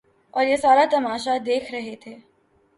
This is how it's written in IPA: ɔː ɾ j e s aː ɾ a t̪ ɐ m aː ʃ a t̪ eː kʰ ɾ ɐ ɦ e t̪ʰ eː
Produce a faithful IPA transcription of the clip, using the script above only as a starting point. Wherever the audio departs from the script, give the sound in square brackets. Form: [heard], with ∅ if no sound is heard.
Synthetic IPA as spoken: ɔː ɾ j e s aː ɾ a t̪ ɐ m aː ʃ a [d̪] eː kʰ ɾ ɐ ɦ e t̪ʰ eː

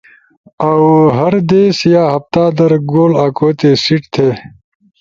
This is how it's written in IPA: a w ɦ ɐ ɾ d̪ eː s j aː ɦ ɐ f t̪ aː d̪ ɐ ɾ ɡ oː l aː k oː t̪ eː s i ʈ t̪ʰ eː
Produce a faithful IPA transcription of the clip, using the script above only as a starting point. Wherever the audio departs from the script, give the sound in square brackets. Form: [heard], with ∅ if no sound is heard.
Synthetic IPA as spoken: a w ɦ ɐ ɾ d̪ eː s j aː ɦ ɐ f t̪ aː d̪ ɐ ɾ ɡ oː l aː k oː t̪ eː s i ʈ t̪ʰ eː

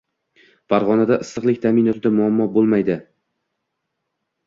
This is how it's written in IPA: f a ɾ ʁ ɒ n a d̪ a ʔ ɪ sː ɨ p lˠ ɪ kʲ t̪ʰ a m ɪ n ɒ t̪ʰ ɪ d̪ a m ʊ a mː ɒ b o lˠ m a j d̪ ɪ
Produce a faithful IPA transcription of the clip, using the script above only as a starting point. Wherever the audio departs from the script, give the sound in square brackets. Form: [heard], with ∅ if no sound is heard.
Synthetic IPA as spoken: f a ɾ ʁ ɒ n a d̪ a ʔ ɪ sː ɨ [q] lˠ ɪ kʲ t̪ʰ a m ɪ n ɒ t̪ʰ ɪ d̪ a m ʊ a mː ɒ b o lˠ m a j d̪ ɪ

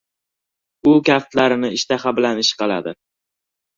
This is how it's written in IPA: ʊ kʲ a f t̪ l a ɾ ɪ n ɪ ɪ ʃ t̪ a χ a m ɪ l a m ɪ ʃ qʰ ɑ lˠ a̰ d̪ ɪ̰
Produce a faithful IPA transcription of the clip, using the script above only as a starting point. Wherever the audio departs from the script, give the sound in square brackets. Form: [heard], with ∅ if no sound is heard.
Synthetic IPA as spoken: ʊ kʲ a f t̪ l a ɾ ɪ n ɪ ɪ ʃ t̪ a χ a [b] ɪ l a [n] ɪ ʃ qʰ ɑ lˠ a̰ d̪ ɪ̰

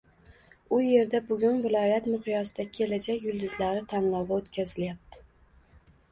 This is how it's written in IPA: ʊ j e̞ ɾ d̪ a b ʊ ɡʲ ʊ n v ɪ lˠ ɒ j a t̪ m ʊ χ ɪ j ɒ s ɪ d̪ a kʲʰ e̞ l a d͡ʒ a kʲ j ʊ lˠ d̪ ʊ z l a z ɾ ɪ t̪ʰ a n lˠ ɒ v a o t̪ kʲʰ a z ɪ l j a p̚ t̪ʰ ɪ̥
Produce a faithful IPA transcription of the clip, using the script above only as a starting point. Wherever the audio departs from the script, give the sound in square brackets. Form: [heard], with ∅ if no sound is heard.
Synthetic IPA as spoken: ʊ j e̞ ɾ d̪ a b ʊ ɡʲ ʊ n v ɪ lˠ ɒ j a t̪ m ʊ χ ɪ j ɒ s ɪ d̪ a kʲʰ e̞ l a d͡ʒ a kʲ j ʊ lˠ d̪ ʊ z l a [∅] ɾ ɪ t̪ʰ a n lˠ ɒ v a o t̪ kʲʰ a z ɪ l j a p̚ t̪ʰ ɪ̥

